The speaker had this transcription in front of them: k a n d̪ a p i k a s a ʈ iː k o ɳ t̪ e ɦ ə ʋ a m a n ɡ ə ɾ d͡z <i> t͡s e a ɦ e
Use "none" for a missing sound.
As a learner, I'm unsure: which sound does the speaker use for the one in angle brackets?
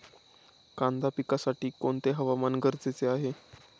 e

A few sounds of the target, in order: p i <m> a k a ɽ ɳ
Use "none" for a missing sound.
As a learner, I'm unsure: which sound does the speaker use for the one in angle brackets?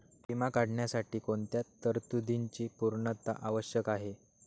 m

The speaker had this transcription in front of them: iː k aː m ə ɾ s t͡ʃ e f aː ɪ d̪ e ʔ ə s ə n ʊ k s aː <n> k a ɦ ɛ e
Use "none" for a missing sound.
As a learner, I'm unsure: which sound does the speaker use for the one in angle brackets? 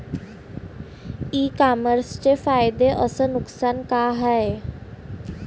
n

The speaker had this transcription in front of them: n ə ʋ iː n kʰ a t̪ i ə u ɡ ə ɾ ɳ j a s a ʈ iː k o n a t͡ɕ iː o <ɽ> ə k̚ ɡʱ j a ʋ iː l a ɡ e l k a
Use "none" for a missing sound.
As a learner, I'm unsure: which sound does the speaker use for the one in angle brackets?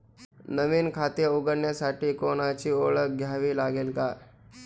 ɭ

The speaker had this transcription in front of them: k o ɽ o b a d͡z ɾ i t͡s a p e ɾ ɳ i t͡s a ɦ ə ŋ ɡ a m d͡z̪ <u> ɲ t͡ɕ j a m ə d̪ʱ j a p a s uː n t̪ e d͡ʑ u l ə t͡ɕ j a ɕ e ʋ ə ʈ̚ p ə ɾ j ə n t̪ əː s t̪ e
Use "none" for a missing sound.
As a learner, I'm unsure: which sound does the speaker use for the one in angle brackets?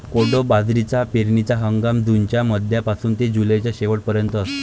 u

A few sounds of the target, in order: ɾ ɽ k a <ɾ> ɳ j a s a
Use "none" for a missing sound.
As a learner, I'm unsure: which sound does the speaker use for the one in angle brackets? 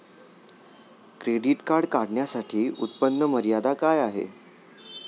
ɽ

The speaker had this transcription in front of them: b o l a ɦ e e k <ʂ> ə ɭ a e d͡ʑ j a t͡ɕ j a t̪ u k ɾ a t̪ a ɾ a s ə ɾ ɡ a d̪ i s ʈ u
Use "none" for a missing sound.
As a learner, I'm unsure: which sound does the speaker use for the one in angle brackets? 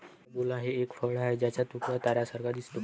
f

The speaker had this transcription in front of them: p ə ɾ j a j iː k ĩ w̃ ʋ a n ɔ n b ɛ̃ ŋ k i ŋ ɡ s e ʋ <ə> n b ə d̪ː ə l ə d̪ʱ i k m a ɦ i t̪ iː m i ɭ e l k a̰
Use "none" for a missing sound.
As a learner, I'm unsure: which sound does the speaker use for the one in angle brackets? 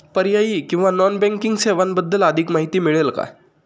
a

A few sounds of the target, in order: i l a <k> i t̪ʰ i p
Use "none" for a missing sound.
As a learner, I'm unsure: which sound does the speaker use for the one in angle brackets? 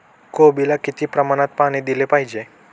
k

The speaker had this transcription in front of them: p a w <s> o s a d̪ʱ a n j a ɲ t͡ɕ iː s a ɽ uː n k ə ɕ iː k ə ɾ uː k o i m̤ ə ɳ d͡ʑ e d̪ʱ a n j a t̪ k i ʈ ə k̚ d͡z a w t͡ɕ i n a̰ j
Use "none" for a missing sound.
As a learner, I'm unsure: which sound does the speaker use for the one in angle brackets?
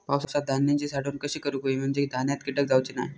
s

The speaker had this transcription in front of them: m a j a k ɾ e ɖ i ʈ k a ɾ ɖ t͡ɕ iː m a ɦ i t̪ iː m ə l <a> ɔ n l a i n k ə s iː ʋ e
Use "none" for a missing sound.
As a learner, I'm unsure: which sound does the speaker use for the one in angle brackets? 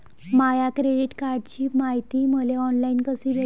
e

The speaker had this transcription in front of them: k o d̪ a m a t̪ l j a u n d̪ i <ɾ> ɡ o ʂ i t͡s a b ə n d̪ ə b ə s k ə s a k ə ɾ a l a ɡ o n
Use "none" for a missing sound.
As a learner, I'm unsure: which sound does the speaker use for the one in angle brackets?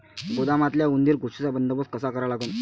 ɾ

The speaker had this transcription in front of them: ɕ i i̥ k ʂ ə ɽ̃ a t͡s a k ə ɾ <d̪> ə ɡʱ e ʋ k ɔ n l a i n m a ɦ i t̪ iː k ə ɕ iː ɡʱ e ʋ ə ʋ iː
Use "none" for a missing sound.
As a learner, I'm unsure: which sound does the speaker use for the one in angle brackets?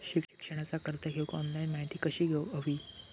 t̪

